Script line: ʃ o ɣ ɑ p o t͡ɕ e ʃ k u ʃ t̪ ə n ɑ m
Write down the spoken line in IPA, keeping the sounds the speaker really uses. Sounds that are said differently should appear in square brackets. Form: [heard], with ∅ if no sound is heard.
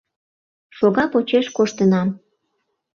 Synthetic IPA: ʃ o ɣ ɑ p o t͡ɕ e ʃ k [o] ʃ t̪ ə n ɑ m